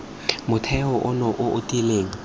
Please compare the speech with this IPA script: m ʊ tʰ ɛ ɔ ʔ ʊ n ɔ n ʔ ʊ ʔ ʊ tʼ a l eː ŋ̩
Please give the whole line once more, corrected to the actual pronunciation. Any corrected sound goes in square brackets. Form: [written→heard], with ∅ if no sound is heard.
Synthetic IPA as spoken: m ʊ tʰ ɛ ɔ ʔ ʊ n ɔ [n→∅] ʔ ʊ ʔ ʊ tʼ [a→i] l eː ŋ̩